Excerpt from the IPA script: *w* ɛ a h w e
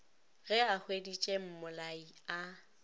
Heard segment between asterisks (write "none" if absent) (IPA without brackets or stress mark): ɣ